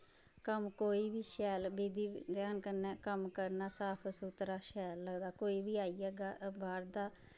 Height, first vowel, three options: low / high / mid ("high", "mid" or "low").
mid